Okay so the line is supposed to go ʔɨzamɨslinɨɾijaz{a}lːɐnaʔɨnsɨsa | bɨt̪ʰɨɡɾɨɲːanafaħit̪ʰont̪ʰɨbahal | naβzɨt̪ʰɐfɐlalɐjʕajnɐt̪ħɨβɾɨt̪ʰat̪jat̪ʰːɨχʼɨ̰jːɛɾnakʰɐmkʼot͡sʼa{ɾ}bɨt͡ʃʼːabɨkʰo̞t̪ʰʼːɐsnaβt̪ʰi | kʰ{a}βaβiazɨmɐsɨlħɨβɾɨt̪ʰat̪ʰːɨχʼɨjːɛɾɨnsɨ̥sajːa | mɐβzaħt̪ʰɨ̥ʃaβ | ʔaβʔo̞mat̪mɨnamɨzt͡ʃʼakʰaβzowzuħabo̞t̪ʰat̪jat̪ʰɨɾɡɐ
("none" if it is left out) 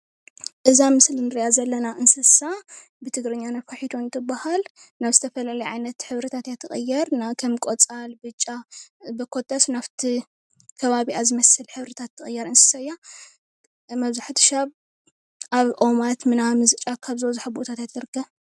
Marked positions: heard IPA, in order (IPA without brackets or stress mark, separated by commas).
ɐ, l, ɐ